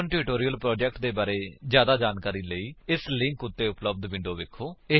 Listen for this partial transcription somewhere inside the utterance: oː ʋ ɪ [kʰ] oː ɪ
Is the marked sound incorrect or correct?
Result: correct